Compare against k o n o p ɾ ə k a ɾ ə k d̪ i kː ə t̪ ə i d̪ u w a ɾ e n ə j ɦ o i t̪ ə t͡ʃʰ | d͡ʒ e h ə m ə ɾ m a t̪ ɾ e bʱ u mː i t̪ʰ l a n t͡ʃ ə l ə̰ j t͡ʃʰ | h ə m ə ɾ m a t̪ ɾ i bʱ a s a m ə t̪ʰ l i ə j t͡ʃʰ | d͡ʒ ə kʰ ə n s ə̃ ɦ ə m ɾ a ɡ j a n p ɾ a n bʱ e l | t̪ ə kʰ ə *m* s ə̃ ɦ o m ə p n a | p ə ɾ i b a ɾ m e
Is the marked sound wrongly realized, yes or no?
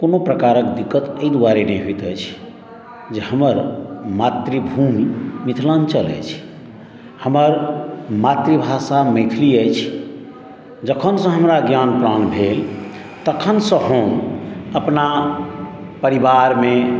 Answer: yes